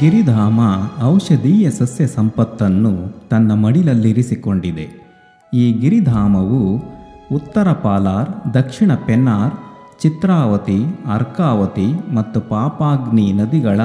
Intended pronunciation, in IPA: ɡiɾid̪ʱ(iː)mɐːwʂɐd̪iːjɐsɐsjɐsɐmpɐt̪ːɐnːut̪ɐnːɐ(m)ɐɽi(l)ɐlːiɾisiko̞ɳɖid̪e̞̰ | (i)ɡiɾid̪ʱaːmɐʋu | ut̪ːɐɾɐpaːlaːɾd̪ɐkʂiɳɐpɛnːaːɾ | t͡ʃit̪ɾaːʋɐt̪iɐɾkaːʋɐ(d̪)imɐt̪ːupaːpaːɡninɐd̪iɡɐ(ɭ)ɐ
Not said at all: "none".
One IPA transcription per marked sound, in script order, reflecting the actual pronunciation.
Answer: aː, m, l, iː, t̪, ɭ

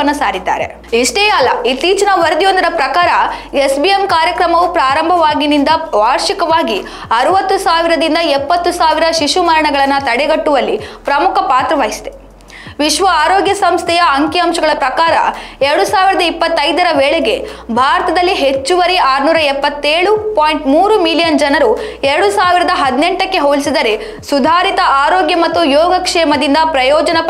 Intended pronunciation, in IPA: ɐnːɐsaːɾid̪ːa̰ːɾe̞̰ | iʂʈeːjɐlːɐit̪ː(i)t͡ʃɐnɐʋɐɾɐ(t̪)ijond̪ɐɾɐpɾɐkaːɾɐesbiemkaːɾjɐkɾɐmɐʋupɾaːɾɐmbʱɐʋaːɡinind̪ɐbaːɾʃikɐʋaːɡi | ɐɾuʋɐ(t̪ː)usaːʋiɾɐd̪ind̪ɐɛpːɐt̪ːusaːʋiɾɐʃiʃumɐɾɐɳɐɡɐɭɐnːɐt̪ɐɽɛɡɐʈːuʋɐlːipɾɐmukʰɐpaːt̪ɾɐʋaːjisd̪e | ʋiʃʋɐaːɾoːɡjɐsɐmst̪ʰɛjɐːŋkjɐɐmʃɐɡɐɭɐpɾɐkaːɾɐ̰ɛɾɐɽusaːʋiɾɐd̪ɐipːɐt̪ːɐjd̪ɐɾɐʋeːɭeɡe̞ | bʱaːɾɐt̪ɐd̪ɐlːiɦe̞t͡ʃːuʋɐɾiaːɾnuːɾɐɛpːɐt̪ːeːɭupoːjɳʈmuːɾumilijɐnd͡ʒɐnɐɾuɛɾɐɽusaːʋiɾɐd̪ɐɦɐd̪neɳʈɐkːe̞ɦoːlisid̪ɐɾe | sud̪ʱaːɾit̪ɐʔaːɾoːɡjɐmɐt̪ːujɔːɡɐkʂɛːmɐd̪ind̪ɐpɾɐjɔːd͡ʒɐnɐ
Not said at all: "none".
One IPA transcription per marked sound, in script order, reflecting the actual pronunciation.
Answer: iː, d̪, t̪ː

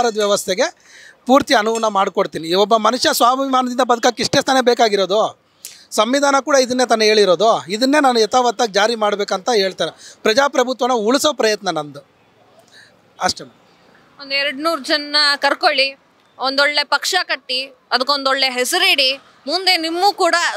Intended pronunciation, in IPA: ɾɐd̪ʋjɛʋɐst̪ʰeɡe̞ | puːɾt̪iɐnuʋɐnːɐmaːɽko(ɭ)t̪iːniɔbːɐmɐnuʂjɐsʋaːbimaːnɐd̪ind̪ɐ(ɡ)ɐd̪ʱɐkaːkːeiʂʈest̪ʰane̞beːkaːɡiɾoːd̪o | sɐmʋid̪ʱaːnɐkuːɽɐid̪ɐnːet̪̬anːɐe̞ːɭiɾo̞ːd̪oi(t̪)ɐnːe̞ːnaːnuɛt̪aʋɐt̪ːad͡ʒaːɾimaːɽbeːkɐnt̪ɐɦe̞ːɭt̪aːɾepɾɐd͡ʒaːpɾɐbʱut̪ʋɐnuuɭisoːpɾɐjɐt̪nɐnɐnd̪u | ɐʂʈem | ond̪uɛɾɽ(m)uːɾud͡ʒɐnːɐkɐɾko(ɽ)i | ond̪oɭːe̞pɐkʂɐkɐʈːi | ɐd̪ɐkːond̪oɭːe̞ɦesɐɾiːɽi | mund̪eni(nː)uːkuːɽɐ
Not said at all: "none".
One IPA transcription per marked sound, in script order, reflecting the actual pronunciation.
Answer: ɽ, b, d̪, n, ɭ, mː

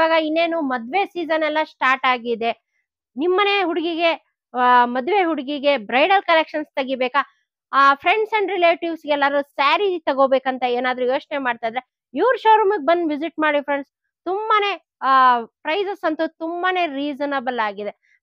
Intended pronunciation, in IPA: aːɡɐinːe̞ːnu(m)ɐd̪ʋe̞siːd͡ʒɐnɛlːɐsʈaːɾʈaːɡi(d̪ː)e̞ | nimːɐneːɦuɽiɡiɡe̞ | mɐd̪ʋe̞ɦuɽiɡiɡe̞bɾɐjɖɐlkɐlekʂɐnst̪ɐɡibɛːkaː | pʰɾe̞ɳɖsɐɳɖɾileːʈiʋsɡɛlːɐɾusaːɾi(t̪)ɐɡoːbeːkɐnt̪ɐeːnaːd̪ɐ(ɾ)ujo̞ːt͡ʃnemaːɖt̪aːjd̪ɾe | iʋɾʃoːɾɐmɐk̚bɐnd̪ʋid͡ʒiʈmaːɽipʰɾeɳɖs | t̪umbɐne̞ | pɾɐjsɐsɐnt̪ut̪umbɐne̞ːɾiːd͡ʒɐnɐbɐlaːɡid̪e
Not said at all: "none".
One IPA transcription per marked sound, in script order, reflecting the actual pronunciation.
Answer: m, d̪, t̪, ɾ

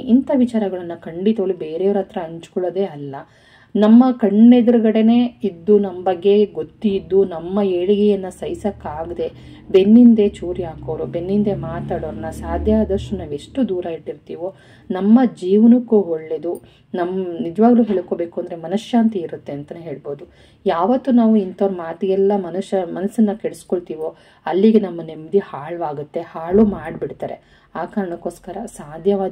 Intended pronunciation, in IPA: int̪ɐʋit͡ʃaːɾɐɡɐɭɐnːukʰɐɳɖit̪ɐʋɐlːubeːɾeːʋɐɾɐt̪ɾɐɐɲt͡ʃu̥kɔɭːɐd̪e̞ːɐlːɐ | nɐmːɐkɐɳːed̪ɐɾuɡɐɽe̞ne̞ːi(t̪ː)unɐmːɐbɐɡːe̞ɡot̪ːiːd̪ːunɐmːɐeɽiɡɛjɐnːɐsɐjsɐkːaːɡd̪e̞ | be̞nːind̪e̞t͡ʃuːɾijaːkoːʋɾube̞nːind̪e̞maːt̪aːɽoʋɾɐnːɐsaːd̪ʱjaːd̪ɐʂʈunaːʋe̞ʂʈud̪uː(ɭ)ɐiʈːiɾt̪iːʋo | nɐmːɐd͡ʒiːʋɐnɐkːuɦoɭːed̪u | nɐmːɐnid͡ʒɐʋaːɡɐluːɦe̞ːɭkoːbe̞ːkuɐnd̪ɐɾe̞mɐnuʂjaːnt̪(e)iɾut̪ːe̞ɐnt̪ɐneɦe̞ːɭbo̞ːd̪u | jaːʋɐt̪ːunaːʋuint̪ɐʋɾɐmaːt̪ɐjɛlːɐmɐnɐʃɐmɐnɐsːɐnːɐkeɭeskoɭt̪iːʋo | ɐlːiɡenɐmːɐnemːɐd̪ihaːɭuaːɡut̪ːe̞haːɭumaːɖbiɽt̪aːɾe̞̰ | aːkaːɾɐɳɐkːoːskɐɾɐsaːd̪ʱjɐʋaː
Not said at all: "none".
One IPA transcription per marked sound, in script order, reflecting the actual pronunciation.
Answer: d̪ː, ɾ, i

